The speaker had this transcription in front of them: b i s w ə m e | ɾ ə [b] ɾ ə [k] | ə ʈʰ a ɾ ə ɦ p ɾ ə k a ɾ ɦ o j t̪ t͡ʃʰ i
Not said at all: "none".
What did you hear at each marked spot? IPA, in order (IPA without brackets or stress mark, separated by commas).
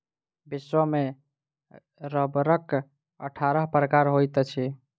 b, k